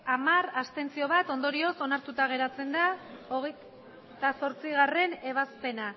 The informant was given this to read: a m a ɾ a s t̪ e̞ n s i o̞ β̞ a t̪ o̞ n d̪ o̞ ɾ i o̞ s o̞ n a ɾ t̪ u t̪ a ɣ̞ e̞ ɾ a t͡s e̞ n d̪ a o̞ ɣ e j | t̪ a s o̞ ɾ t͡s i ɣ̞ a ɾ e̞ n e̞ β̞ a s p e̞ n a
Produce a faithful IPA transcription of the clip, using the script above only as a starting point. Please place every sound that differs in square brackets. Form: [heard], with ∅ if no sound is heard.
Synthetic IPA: a m a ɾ a s t̪ e̞ n [t͡s] i o̞ β̞ a t̪ o̞ n d̪ o̞ ɾ i o̞ s o̞ n a ɾ t̪ u t̪ a ɣ̞ e̞ ɾ a t͡s e̞ n d̪ a o̞ ɣ e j | t̪ a s o̞ ɾ t͡s i ɣ̞ a [r] e̞ n e̞ β̞ a s p e̞ n a